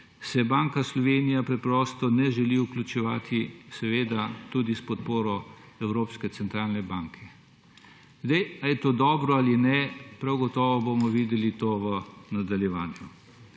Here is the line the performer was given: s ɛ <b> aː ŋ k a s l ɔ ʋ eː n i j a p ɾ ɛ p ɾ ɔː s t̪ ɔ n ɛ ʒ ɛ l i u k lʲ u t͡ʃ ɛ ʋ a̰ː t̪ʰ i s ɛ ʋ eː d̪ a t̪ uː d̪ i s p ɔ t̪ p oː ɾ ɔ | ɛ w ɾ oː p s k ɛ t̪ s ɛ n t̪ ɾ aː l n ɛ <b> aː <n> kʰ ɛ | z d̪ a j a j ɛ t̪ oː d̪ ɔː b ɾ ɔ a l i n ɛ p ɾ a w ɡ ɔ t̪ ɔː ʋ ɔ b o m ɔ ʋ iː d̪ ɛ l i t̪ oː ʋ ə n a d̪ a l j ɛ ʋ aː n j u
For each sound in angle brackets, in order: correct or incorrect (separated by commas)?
correct, correct, incorrect